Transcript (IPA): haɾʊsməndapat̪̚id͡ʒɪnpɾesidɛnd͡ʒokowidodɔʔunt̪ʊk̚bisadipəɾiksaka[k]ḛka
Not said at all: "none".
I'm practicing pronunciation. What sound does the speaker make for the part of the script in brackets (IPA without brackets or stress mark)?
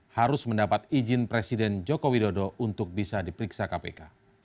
p